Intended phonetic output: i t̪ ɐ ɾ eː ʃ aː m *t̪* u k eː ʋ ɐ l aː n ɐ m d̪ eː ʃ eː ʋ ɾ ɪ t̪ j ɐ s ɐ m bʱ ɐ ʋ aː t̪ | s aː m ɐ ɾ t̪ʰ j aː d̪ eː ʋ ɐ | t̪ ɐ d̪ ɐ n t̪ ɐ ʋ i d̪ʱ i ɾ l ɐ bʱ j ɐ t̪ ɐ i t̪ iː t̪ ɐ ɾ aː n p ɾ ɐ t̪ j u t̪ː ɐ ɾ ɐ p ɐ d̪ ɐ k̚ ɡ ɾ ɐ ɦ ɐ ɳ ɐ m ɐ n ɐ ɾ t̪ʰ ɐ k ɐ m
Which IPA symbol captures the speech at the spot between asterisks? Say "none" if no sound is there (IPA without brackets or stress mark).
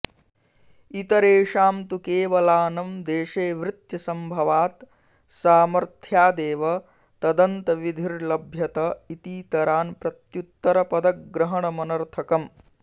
t̪